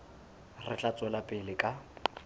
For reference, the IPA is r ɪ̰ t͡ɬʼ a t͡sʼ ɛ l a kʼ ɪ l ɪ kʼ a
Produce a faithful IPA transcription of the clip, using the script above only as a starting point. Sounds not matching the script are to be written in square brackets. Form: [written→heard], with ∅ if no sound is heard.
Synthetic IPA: r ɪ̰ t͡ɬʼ a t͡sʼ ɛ l a [kʼ→pʼ] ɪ l ɪ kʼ a